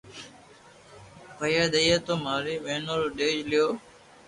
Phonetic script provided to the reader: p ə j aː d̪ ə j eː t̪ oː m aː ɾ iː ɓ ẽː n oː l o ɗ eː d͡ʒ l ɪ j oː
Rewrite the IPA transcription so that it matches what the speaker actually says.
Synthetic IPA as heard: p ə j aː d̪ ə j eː t̪ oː m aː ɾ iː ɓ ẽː n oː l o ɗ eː d͡ʒ l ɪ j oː